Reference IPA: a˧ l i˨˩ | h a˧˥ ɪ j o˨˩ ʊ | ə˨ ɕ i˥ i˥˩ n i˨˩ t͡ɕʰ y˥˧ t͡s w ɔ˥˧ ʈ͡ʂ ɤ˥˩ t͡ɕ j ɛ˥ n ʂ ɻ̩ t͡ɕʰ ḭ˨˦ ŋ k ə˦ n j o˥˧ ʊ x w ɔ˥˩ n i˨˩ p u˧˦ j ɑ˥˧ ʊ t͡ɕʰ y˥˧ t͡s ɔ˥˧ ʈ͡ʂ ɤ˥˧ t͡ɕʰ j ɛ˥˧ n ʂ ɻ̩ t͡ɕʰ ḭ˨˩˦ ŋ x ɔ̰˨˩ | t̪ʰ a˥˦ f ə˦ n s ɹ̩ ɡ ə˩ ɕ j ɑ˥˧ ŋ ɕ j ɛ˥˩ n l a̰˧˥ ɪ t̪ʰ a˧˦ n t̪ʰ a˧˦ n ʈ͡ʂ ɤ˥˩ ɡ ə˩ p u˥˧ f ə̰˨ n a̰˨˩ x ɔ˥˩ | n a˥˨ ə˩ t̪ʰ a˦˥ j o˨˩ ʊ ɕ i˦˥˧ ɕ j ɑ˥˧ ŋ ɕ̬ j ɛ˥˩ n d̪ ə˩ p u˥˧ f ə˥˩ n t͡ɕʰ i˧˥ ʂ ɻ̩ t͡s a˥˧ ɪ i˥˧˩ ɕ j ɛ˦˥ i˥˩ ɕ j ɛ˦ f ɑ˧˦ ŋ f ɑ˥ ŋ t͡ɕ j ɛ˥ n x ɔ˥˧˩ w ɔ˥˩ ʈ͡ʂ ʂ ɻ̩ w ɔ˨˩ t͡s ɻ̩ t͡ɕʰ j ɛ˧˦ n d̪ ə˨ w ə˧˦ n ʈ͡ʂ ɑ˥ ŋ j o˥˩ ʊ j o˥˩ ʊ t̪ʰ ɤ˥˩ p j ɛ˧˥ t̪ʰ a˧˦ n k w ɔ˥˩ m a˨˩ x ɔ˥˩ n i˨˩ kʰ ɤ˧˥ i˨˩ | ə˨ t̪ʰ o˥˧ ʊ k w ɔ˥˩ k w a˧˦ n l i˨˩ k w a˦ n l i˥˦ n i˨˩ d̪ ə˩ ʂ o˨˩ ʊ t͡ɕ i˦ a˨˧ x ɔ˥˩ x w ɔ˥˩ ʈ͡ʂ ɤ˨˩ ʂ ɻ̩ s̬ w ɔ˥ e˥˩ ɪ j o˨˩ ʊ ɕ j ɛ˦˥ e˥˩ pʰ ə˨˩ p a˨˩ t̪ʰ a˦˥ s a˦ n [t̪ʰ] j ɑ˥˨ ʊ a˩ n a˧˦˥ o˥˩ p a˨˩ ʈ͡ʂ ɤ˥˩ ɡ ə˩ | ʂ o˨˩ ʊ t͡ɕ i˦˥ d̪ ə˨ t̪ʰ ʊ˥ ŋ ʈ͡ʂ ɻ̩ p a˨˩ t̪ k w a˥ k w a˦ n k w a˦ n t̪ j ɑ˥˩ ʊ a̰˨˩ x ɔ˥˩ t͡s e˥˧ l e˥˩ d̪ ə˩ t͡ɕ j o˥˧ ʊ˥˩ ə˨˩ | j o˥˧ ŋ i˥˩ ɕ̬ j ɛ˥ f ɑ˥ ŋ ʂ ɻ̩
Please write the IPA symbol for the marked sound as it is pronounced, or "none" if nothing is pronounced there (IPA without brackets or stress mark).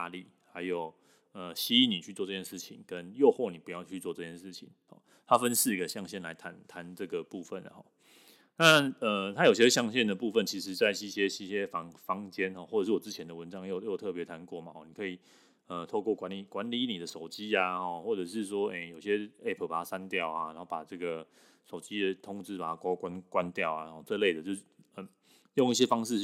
t̪